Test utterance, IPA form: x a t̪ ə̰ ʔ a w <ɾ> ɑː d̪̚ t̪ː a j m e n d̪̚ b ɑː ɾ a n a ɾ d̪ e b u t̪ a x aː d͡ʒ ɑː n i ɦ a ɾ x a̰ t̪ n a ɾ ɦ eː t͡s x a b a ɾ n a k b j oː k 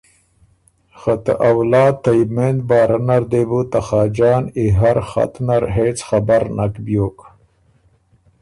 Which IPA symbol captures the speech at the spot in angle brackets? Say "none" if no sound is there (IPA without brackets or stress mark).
l